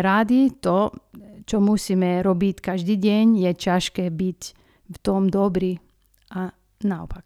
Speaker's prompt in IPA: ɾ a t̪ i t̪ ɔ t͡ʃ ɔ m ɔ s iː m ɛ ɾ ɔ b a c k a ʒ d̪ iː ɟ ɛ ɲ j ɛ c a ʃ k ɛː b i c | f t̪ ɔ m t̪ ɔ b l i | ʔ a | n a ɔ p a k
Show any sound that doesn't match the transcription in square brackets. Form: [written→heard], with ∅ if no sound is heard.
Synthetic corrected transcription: ɾ a [t̪→d̪] i t̪ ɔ t͡ʃ ɔ m [ɔ→u] s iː m ɛ ɾ ɔ b [a→i] c k a ʒ d̪ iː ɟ ɛ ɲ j ɛ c a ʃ k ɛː b i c | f t̪ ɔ m [t̪→d̪] ɔ b [l→ɾ] i | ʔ a | n a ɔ p a k